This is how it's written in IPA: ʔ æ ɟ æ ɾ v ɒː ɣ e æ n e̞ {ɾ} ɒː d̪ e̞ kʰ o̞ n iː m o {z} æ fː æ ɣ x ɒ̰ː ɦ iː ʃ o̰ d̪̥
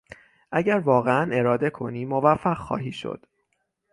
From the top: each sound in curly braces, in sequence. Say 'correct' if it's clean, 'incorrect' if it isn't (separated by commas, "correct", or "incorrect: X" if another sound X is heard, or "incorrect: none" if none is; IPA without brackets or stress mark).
correct, incorrect: v